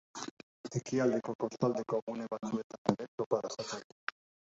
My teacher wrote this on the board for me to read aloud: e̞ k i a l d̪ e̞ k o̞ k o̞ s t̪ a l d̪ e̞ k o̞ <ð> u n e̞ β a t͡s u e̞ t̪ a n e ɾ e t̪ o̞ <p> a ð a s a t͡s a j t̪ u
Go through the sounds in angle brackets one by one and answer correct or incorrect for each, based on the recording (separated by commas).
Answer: incorrect, correct